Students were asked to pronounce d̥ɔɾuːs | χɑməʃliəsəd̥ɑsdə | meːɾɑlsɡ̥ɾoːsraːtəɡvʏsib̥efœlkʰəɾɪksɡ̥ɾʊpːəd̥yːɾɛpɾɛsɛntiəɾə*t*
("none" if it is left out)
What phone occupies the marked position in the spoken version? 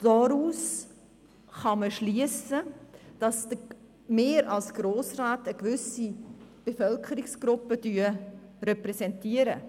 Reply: none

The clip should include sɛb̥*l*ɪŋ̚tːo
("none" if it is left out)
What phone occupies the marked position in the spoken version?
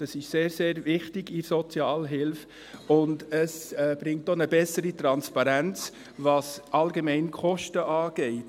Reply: ɾ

